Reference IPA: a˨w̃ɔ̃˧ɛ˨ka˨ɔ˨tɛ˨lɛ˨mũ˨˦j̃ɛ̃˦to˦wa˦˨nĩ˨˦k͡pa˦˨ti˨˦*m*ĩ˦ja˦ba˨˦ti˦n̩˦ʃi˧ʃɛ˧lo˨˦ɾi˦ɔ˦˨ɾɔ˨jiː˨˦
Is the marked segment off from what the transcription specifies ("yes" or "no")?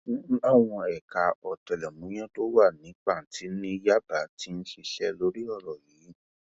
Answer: yes